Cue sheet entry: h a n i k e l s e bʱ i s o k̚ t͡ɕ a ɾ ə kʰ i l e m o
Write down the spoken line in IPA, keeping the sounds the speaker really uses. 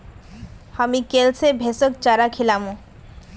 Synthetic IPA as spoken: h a m i k e l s e bʱ e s o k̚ t͡ɕ a ɾ a kʰ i l a m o